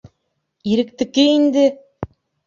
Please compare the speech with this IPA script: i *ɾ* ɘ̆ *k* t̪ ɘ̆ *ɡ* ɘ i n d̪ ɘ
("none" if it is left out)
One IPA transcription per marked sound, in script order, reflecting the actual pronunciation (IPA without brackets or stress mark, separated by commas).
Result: ɾ, k, k